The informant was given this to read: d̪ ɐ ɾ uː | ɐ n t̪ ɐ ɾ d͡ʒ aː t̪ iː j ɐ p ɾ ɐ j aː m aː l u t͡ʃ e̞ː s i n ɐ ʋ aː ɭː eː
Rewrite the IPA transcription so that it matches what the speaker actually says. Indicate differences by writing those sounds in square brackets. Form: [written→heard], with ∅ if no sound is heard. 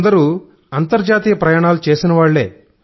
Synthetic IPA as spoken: d̪ ɐ ɾ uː | ɐ n t̪ ɐ ɾ d͡ʒ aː t̪ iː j ɐ p ɾ ɐ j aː [m→ɳ] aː l u t͡ʃ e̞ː s i n ɐ ʋ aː ɭː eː